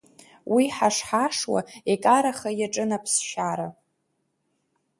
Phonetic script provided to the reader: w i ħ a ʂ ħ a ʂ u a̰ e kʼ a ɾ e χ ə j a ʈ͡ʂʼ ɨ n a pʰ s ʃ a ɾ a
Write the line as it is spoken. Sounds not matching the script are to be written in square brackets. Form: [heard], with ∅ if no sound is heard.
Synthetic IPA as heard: w i ħ a ʂ ħ a ʂ [w] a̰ e kʼ a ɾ [a] χ [a] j a ʈ͡ʂʼ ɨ n a pʰ s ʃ a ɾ a